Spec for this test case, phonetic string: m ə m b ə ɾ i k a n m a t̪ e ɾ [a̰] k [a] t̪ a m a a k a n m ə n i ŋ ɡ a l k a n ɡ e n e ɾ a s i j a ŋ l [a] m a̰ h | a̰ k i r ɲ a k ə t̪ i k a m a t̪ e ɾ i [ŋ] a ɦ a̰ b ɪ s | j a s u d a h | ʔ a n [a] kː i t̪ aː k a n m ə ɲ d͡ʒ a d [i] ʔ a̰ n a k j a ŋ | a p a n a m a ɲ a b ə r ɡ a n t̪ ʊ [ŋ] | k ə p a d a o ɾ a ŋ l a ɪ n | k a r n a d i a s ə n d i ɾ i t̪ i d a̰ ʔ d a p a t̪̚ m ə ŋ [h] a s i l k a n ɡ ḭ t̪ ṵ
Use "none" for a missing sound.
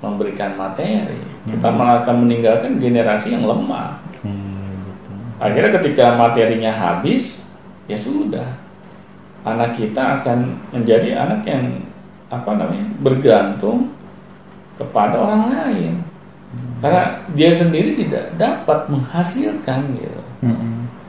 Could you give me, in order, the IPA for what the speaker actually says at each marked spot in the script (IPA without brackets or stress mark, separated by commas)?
ḭ, i, ə, ɲ, a, i, ŋ, h